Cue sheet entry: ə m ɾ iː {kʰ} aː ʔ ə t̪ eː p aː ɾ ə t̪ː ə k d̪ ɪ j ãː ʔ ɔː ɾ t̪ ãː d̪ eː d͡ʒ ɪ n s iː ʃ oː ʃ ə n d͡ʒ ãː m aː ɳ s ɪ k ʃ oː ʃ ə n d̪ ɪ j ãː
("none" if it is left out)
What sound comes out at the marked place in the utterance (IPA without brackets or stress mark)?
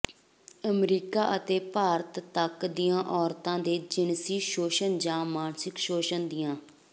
k